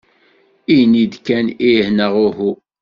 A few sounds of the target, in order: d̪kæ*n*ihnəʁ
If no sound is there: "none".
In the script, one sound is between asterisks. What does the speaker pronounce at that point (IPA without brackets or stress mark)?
n